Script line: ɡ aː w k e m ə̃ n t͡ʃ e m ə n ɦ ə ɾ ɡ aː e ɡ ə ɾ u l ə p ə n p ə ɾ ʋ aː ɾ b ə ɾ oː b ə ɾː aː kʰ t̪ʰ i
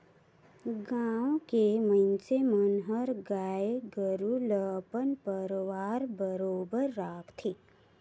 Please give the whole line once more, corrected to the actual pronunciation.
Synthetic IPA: ɡ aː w k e m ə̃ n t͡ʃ e m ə n ɦ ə ɾ ɡ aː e ɡ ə ɾ u l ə p ə n p ə ɾ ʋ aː ɾ b ə ɾ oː b ə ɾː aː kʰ t̪ʰ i